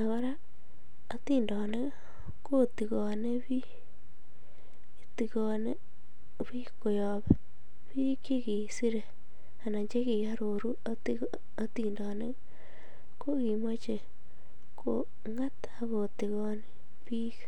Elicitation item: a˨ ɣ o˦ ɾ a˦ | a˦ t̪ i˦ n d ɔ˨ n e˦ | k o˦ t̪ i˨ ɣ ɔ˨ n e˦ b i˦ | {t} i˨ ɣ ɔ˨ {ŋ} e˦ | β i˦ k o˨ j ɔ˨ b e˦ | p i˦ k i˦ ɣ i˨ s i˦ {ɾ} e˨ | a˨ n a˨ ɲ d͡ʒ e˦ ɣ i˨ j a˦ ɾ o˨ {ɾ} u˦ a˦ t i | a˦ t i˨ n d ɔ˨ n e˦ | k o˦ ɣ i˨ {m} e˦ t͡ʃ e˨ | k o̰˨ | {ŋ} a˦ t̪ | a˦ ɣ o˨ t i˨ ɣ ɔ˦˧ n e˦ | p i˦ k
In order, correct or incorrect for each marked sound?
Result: correct, incorrect, correct, correct, correct, correct

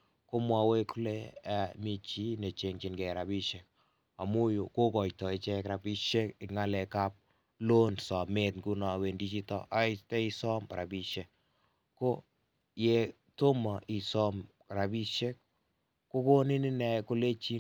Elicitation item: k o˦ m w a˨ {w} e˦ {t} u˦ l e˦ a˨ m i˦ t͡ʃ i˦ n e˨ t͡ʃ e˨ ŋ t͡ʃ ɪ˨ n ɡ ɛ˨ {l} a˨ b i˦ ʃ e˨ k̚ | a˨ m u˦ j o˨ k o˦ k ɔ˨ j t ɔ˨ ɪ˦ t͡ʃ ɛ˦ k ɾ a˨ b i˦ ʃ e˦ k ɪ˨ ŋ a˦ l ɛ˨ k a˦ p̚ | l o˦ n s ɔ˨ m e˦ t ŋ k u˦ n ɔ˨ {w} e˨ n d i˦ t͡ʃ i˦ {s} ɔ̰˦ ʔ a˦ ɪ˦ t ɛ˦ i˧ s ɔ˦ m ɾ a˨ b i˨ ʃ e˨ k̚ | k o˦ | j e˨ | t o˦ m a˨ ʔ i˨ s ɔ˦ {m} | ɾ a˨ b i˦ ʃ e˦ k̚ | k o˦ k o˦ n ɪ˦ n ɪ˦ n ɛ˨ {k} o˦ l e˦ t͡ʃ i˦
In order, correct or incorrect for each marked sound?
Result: correct, incorrect, incorrect, correct, incorrect, correct, correct

